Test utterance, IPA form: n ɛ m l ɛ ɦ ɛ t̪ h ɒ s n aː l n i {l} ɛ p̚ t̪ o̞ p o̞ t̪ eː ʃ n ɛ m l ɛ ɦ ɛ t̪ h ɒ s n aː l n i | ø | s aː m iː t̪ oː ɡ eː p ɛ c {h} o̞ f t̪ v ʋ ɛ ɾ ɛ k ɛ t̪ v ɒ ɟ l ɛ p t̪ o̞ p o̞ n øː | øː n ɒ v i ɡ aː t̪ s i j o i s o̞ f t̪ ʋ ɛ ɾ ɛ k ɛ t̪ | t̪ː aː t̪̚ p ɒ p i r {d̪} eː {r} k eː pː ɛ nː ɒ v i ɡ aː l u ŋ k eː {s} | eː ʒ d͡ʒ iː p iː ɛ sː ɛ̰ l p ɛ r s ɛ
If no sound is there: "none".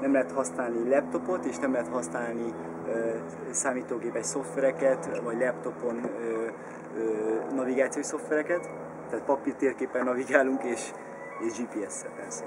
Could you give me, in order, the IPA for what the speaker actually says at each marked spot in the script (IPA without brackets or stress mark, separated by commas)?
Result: l, s, t̪, r, ʃ